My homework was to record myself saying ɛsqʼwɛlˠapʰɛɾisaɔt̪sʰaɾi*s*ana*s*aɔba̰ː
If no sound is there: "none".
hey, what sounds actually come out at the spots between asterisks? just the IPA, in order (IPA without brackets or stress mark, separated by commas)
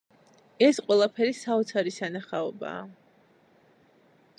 s, χ